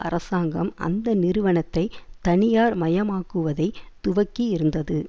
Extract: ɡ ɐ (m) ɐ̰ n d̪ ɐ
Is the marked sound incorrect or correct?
correct